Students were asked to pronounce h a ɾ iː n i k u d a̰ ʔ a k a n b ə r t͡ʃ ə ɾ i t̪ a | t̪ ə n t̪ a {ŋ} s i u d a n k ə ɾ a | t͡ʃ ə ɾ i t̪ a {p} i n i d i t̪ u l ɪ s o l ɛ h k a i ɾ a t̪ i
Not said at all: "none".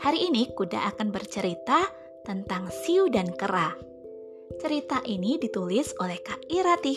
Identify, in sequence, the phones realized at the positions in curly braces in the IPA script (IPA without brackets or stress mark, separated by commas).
ŋ, ʔ